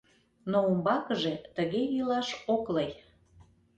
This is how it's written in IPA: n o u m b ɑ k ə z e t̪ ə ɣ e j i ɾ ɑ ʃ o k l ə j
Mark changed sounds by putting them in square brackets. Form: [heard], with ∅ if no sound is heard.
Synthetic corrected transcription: n o u m b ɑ k ə [ʒ] e t̪ ə ɣ e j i [l] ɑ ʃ o k l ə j